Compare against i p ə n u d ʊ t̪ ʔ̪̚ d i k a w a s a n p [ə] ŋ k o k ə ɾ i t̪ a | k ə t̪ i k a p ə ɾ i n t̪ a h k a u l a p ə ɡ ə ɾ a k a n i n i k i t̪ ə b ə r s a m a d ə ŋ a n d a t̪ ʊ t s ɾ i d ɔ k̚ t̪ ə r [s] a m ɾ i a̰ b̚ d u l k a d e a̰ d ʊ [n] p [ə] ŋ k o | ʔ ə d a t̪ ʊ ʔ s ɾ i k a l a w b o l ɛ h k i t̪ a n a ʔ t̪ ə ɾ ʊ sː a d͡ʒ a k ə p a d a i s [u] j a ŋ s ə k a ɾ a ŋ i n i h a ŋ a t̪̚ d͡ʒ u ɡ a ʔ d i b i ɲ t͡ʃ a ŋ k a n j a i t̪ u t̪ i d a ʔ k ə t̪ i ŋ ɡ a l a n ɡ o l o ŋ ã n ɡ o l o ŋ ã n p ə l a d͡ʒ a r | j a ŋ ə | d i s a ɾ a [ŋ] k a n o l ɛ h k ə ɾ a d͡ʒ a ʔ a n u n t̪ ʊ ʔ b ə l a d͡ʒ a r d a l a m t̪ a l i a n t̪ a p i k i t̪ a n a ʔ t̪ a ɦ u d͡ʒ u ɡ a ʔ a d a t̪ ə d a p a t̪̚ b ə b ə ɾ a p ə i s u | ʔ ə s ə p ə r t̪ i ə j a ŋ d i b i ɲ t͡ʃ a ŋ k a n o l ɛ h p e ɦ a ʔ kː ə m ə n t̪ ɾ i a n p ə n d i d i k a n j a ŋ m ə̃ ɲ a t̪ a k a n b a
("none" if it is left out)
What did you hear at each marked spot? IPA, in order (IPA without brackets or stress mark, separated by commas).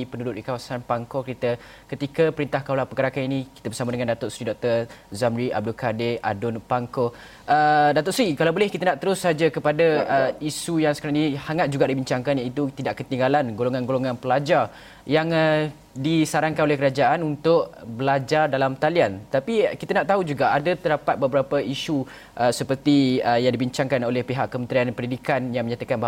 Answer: a, z, n, a, u, ŋ